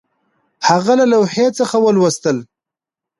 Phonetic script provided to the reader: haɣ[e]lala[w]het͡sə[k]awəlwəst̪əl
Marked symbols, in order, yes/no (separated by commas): no, yes, no